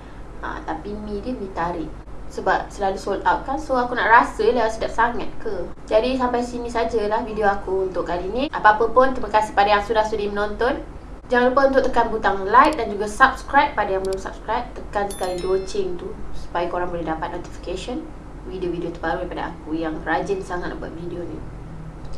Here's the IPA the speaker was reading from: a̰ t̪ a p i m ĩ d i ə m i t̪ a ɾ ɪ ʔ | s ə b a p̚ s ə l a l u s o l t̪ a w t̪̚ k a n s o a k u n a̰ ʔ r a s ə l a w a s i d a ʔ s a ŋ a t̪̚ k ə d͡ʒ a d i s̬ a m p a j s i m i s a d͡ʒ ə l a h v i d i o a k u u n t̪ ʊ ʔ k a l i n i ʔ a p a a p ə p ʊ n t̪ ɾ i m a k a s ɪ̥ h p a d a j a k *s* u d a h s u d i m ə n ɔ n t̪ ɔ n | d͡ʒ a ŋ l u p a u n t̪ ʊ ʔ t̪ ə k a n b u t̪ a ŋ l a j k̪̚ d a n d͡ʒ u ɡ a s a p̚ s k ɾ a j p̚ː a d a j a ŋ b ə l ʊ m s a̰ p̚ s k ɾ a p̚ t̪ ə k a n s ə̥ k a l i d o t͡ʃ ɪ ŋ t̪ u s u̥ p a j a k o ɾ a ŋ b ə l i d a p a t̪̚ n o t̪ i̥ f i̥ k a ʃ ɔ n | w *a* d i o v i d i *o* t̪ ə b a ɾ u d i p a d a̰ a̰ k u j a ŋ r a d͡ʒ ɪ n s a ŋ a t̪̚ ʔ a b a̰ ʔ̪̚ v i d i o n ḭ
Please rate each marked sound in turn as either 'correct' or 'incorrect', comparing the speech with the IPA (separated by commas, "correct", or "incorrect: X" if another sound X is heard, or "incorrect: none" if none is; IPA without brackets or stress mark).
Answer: correct, incorrect: i, correct